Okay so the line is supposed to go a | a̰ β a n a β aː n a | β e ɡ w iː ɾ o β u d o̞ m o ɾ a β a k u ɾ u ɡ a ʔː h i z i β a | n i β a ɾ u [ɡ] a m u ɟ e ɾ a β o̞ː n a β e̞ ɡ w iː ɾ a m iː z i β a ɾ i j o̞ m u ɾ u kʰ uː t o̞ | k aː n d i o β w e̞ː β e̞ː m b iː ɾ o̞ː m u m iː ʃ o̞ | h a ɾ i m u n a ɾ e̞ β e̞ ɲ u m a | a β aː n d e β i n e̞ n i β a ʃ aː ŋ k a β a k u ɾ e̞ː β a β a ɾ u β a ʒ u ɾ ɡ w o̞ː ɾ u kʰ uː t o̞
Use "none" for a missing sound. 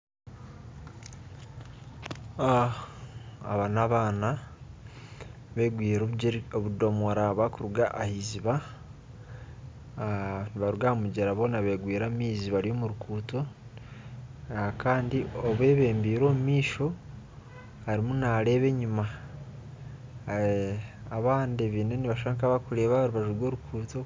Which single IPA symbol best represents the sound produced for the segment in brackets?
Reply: ɡ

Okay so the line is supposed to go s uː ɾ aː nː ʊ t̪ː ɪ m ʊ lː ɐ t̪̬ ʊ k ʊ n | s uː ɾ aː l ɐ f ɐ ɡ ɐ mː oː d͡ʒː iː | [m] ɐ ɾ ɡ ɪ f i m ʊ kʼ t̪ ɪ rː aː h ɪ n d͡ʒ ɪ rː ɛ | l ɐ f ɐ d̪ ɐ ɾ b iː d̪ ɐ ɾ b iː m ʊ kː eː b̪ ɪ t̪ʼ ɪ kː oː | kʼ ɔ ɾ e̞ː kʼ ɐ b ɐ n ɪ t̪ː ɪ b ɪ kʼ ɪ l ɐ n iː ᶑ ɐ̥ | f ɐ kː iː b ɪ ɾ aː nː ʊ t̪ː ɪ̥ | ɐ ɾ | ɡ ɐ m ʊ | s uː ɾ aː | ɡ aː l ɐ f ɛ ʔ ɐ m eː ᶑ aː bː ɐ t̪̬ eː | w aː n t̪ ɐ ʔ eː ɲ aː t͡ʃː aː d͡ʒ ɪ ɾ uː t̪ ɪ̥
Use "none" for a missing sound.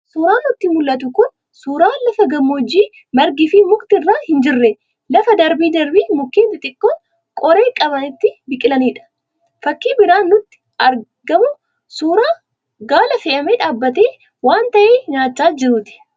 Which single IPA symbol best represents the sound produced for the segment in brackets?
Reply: m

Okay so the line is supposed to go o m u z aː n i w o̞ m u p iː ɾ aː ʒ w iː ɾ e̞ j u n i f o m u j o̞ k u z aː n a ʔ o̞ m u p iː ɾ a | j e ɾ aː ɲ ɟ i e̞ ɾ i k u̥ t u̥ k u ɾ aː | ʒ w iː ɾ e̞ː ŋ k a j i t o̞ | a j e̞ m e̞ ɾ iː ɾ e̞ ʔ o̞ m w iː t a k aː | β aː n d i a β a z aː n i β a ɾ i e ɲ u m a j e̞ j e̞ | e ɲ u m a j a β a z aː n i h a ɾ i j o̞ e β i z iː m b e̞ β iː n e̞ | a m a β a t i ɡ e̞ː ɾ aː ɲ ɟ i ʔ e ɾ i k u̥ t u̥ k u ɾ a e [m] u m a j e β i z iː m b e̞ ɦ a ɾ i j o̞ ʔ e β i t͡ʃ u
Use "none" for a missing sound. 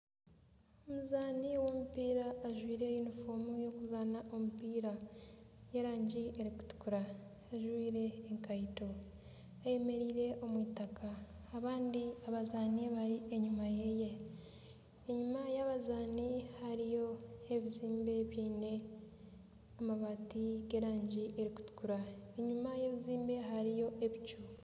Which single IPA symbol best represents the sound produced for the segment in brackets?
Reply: ɲ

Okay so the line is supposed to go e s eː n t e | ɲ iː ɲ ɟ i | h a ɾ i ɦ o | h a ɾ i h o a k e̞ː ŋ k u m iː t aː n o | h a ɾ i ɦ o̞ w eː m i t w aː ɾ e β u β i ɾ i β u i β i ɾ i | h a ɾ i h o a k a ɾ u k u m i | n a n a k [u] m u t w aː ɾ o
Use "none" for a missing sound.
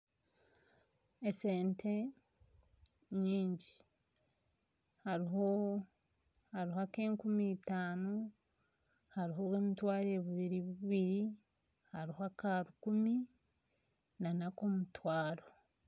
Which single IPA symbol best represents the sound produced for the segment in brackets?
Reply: o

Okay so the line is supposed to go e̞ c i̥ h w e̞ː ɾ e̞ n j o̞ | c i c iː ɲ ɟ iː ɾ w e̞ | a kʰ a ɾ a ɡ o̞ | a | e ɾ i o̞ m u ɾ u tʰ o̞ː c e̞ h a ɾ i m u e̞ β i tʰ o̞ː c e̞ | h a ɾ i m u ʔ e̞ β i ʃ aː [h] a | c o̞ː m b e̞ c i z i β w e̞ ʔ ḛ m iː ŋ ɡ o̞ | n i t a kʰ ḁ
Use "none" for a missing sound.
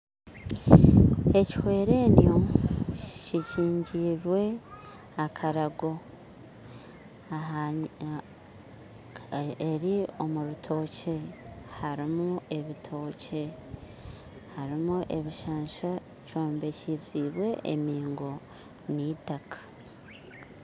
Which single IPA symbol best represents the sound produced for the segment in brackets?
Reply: ʃ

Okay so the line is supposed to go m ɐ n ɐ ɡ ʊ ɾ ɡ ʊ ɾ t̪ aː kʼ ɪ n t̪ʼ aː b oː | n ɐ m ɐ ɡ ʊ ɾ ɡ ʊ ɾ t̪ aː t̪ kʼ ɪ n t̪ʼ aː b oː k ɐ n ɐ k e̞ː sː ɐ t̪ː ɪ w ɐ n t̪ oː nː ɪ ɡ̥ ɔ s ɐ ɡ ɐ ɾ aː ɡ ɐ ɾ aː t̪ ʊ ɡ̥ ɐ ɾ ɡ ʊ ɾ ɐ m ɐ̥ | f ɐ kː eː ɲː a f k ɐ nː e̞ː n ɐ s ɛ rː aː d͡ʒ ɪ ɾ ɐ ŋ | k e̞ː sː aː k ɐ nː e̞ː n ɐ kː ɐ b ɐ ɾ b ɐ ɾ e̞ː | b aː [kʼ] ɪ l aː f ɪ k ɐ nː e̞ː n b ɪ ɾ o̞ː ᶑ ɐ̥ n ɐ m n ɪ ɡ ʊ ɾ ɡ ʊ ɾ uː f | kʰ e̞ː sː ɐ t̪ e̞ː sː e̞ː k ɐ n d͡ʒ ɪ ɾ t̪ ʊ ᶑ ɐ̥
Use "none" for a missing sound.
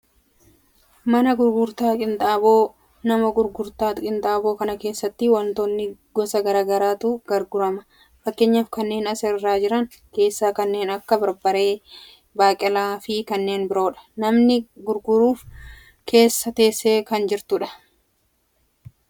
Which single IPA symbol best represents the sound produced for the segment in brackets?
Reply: kʼ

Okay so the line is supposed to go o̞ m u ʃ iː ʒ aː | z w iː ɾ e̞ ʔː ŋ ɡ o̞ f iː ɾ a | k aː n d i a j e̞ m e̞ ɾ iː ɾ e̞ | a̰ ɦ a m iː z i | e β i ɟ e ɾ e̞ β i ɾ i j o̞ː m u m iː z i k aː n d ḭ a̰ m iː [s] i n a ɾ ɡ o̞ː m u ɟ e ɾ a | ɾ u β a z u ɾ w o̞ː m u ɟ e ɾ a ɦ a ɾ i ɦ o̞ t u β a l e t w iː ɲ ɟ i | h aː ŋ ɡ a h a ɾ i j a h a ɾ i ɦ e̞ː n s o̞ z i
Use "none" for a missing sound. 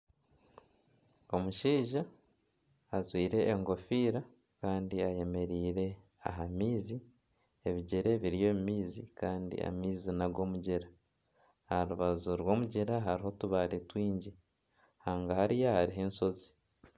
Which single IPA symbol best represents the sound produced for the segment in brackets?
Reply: z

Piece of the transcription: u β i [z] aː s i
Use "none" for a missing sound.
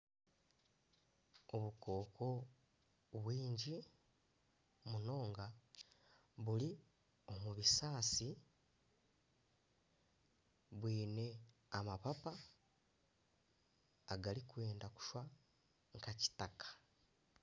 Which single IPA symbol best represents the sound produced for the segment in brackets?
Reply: s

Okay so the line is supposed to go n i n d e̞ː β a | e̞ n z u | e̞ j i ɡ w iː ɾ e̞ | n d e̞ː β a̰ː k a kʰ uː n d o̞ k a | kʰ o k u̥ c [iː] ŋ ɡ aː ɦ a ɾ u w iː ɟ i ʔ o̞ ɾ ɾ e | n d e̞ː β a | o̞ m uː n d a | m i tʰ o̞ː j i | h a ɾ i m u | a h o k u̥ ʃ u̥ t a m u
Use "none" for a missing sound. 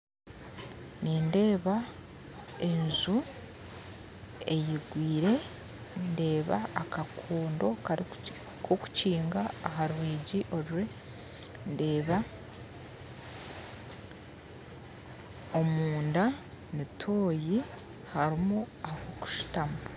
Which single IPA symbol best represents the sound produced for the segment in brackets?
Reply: iː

